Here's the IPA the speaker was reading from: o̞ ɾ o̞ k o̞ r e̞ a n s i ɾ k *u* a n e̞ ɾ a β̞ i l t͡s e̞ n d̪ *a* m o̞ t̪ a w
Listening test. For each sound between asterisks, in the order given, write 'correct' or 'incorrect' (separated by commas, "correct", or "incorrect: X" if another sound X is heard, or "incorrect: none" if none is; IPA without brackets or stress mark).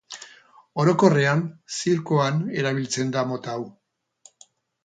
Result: incorrect: o, correct